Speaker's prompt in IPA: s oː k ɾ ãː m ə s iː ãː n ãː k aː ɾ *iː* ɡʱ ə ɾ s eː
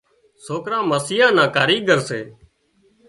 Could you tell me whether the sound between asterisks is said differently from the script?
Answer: no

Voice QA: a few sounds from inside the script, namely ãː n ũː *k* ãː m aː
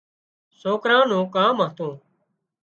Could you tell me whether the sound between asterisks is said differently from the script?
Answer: no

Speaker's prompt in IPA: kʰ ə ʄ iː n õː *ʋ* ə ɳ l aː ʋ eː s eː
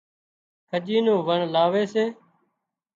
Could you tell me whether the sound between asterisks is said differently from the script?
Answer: no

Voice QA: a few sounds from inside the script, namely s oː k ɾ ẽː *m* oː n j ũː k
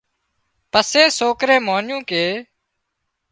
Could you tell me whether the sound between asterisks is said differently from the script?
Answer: no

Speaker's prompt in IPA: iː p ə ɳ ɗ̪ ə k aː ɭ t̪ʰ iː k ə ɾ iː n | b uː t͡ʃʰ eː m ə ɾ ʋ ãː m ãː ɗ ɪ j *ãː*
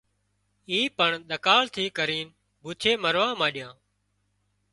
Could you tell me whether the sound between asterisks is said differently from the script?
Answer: no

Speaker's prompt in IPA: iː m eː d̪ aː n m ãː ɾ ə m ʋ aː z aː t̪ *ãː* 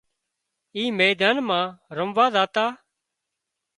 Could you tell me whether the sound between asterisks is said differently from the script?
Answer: yes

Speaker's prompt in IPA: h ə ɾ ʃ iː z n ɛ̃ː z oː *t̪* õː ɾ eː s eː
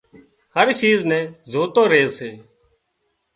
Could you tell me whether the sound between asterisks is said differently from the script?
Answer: no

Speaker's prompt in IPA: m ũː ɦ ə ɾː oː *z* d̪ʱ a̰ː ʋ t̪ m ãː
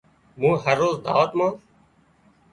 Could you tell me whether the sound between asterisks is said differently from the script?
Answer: no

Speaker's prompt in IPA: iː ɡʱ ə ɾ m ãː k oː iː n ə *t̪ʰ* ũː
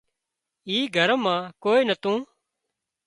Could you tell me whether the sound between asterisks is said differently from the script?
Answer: yes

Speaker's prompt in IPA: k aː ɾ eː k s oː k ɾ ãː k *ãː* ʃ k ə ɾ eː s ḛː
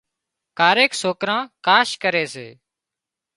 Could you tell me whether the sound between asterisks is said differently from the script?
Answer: yes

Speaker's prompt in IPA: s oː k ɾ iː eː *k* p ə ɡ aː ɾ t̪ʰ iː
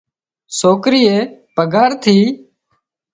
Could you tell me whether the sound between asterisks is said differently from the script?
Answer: yes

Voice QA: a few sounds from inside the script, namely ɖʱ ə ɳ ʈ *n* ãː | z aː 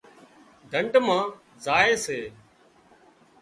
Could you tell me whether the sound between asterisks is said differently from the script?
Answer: yes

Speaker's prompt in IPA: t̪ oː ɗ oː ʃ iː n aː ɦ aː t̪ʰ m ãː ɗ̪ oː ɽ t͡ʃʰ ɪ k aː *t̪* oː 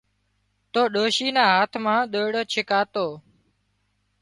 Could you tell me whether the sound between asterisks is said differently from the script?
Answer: no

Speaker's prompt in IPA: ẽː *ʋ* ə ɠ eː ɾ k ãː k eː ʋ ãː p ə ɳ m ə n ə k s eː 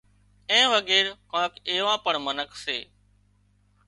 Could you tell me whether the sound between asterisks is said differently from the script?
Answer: no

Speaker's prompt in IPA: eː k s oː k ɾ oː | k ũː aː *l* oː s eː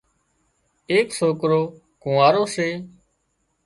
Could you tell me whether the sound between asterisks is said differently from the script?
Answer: yes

